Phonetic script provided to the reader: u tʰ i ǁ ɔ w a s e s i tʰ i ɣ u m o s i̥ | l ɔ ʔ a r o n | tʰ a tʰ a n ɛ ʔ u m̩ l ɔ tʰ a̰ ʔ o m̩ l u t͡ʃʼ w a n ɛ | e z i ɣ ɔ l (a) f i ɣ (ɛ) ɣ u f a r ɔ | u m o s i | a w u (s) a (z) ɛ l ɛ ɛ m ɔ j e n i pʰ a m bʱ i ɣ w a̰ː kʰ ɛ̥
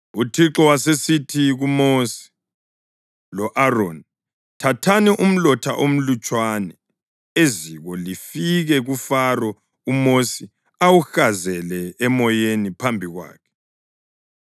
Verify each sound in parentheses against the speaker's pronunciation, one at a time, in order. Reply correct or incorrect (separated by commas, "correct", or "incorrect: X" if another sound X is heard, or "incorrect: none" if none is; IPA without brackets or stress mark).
incorrect: i, correct, incorrect: x, correct